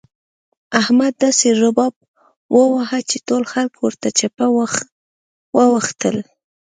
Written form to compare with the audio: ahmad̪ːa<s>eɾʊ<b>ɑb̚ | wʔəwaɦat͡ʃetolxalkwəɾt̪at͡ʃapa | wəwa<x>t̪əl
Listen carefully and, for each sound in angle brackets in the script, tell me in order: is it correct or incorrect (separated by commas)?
correct, correct, correct